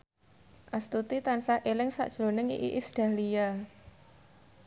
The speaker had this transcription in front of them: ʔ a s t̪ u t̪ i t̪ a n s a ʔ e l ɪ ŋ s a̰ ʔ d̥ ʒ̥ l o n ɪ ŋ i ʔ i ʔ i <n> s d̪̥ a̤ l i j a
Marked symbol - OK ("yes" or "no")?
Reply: no